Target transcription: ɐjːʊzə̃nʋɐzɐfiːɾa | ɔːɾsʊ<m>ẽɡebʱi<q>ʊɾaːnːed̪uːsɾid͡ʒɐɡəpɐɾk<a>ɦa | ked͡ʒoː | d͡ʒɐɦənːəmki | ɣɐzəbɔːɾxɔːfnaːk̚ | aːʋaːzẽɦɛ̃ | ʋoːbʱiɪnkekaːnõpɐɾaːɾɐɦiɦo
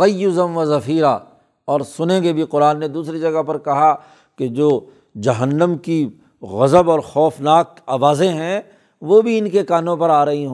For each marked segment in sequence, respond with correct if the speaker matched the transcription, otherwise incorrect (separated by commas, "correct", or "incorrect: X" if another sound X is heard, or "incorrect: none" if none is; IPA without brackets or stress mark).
incorrect: n, correct, incorrect: ɐ